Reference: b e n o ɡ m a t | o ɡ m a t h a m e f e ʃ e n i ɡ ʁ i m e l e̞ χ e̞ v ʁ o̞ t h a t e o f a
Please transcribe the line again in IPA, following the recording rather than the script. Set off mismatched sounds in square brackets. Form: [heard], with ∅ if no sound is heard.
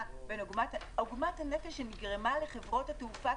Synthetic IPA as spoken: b e n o ɡ m a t | o ɡ m a t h a [n] e f e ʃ e n i ɡ ʁ [e] m [a] l e̞ χ e̞ v ʁ o̞ t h a t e [u] f a